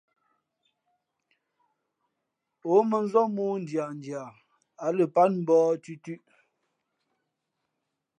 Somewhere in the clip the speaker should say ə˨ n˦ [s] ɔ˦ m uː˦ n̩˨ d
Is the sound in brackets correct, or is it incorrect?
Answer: incorrect: z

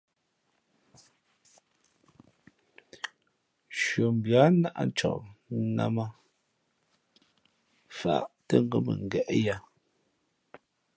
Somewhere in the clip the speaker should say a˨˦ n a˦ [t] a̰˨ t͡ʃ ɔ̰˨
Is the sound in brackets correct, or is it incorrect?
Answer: incorrect: ʔ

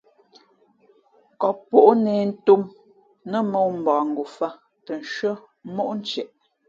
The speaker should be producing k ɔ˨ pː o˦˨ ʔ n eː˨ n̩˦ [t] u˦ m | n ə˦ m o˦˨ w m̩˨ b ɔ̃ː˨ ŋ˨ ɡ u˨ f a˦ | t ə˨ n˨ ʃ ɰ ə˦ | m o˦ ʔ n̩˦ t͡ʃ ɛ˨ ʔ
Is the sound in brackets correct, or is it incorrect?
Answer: correct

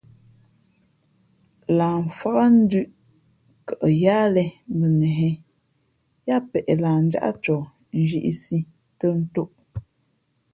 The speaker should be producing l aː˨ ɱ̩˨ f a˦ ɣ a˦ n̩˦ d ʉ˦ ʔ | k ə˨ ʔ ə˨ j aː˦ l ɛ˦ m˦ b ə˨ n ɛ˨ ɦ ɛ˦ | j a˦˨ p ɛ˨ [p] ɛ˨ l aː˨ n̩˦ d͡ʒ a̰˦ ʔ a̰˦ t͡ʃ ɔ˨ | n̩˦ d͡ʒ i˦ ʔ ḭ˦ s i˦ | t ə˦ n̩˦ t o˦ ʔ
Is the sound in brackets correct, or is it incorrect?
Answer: incorrect: ʔ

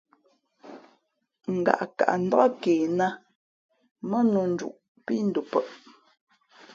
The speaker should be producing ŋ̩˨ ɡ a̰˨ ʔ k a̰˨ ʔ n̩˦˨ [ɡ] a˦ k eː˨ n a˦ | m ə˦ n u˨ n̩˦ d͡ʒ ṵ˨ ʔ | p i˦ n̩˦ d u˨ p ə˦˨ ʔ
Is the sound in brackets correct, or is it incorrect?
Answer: incorrect: d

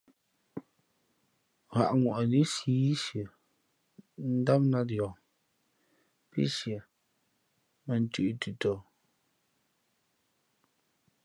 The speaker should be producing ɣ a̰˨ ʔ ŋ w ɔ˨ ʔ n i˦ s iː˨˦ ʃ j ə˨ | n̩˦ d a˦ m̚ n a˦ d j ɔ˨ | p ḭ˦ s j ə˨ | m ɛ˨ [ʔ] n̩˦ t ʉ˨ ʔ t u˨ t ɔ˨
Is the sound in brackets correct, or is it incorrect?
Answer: incorrect: none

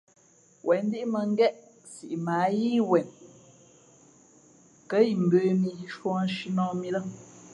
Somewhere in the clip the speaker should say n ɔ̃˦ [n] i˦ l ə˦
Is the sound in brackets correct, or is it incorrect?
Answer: incorrect: m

